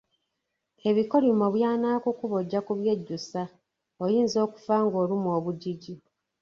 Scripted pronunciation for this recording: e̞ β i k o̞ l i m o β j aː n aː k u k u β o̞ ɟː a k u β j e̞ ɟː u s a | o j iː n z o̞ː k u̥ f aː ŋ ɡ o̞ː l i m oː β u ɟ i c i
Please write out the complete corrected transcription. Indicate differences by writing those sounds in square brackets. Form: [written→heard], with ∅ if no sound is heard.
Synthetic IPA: e̞ β i k o̞ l i m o β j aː n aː k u k u β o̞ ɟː a k u β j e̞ ɟː u s a | o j iː n z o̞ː k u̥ f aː ŋ ɡ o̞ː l i m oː β u ɟ i [c→ɟ] i